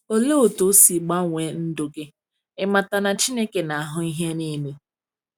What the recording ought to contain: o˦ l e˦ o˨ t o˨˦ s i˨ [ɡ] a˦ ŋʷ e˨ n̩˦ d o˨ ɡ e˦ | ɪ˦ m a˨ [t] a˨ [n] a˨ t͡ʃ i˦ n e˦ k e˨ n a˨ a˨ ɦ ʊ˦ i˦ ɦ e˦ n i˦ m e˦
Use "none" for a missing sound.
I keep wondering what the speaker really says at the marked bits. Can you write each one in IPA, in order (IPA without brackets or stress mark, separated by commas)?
ɡ͡b, t, n